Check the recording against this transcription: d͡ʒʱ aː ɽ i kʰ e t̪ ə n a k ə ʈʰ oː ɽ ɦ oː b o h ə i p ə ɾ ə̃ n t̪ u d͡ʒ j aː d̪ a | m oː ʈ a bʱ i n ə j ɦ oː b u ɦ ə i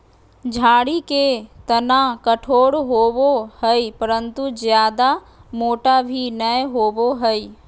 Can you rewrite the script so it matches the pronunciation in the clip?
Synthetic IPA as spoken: d͡ʒʱ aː ɽ i k e t̪ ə n a k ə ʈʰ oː ɽ ɦ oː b o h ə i p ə ɾ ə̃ n t̪ u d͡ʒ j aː d̪ a | m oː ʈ a bʱ i n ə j ɦ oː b o ɦ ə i